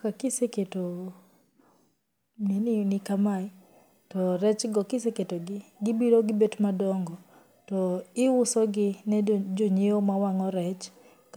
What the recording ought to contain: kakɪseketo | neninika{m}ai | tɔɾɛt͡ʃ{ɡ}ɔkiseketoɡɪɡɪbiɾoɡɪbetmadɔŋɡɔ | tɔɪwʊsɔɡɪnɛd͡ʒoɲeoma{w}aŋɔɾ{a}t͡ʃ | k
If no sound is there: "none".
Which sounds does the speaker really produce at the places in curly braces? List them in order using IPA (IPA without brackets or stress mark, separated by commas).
m, ɡ, w, ɛ